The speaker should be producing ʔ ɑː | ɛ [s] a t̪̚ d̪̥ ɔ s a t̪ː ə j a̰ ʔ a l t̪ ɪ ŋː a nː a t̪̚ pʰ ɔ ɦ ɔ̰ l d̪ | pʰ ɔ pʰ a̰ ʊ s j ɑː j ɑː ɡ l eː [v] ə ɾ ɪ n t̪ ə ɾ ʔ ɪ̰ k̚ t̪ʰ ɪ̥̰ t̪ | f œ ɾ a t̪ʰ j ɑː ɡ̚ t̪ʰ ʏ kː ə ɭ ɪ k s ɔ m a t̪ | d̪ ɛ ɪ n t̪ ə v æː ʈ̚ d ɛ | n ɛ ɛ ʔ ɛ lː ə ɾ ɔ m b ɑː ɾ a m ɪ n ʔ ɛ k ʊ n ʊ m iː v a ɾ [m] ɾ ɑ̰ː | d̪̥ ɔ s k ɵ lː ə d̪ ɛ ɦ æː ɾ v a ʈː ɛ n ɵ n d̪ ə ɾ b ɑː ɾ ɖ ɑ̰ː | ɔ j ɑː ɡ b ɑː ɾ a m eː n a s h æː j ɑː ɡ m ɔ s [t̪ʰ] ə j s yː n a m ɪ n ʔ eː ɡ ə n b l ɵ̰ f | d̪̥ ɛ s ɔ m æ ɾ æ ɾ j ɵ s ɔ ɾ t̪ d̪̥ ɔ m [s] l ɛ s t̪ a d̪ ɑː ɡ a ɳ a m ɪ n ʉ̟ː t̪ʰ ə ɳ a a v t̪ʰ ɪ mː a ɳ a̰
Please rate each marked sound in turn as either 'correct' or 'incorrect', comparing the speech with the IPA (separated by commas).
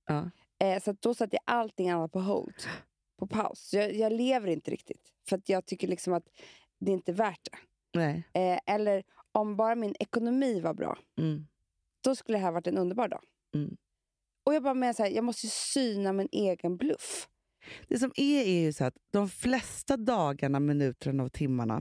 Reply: correct, correct, incorrect, incorrect, incorrect